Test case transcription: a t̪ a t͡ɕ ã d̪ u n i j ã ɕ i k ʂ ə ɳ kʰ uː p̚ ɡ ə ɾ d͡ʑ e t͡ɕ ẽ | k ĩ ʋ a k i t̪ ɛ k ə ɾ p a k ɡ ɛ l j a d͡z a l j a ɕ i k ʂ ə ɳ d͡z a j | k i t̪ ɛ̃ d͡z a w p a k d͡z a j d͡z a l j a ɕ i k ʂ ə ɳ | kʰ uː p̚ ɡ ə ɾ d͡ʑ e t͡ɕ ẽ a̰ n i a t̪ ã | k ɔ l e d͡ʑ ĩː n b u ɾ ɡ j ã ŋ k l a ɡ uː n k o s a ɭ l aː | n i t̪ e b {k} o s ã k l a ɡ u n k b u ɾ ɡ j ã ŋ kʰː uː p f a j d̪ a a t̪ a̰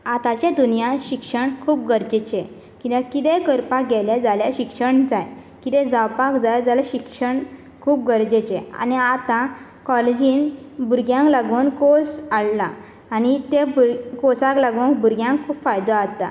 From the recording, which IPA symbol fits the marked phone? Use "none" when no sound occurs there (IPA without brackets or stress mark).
k